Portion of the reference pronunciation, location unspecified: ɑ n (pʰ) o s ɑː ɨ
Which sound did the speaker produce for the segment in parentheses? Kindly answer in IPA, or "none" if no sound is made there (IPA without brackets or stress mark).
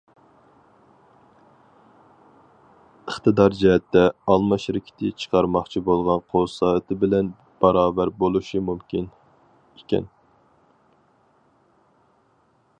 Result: qʰ